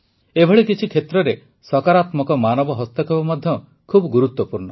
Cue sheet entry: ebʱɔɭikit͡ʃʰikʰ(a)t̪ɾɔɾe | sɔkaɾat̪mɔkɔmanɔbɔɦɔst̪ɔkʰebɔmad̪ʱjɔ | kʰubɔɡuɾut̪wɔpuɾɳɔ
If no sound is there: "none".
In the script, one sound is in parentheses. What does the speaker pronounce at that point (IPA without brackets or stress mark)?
e